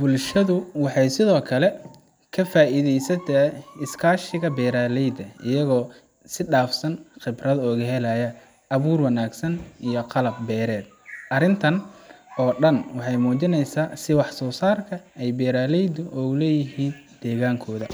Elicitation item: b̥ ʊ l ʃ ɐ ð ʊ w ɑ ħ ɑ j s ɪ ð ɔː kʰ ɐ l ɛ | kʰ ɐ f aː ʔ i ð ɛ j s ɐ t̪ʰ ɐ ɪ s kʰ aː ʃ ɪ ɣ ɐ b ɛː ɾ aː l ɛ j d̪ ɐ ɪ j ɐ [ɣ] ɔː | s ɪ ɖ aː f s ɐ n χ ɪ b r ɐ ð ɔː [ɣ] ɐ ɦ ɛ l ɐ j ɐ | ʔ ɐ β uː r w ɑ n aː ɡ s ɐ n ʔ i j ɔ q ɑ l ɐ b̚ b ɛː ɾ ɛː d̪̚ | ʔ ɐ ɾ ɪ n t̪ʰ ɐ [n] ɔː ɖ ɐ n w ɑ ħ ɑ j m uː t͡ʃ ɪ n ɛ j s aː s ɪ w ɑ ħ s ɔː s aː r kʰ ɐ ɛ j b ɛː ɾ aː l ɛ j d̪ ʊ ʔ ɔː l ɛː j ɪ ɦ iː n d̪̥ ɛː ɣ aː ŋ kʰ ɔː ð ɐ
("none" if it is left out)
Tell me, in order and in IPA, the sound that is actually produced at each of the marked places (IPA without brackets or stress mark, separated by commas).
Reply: ɣ, ɣ, n